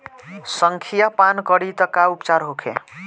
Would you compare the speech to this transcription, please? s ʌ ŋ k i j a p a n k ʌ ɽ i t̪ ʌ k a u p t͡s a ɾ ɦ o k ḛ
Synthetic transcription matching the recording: s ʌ ŋ kʰ i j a p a n k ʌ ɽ i t̪ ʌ k a u p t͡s a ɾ ɦ o kʰ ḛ

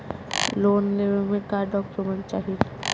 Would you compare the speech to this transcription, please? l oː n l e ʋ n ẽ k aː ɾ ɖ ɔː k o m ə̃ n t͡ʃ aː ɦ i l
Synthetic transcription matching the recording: l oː n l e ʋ m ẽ k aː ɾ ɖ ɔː k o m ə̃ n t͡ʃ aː ɦ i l

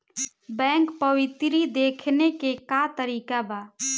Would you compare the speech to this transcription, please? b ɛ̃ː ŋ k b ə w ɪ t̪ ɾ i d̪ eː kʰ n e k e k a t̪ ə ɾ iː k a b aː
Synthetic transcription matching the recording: b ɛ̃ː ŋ k p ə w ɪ t̪ ɾ i d̪ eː kʰ n e k e k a t̪ ə ɾ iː k a b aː

